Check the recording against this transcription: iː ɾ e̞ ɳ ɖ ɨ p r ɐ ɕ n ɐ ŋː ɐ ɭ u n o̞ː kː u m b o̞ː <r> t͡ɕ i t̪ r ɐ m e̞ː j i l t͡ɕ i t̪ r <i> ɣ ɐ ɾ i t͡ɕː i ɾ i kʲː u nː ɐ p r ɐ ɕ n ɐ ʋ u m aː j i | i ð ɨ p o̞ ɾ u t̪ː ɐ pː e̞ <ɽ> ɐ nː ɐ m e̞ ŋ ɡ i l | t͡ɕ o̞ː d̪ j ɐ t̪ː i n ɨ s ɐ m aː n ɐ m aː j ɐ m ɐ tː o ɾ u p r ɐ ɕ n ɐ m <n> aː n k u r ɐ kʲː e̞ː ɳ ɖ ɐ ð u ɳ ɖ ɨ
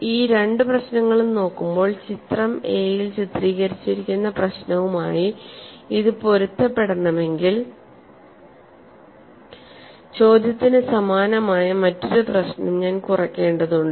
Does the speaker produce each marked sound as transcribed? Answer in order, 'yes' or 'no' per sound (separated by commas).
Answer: no, no, yes, no